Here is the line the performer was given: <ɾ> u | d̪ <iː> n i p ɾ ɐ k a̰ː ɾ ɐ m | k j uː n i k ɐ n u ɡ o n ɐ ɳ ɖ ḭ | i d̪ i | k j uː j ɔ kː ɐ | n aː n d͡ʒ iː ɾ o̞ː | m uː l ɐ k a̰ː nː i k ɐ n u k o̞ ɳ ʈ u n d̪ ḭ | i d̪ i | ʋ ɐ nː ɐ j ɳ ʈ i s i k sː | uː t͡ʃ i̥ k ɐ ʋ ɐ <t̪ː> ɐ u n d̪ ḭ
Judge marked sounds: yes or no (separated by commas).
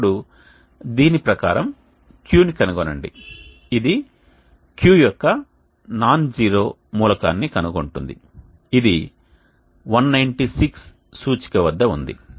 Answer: no, yes, no